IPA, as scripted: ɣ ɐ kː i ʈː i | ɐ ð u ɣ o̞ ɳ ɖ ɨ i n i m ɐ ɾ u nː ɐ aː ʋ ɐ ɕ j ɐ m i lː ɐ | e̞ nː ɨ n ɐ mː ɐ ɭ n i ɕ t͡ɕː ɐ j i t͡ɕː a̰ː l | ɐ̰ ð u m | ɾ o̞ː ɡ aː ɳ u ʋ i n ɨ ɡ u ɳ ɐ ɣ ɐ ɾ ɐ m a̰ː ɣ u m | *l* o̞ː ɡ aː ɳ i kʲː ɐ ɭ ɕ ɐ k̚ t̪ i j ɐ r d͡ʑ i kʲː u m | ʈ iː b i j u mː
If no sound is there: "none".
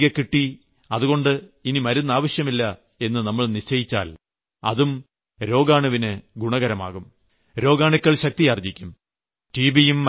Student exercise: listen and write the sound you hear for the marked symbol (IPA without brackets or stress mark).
ɾ